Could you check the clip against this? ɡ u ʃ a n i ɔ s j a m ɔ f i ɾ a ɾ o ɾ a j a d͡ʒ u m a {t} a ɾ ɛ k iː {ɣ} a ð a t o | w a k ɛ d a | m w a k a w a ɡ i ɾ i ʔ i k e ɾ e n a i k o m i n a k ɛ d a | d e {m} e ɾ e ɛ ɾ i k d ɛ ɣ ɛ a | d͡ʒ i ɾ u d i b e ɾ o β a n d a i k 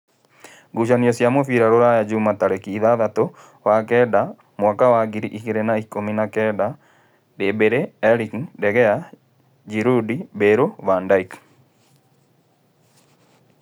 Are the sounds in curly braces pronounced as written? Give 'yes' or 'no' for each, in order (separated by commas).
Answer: yes, no, no